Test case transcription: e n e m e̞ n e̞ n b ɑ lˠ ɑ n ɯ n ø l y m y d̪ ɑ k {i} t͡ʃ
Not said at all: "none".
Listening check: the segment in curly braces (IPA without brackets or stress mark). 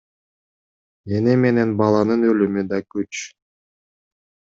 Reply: y